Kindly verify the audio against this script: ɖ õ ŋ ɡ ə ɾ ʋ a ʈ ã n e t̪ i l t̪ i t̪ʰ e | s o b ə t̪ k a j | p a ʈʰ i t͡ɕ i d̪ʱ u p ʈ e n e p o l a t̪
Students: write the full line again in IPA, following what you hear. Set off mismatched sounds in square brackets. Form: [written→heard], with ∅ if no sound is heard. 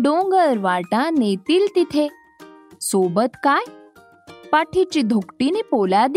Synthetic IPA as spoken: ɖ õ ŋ ɡ ə ɾ ʋ a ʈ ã n e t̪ i l t̪ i t̪ʰ e | s o b ə t̪ k a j | p a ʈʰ i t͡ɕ i d̪ʱ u [p→k] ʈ [e→i] n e p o l a [t̪→d̪]